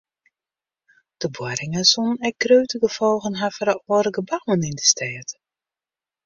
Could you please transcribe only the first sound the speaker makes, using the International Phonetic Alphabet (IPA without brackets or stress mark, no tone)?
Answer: d̥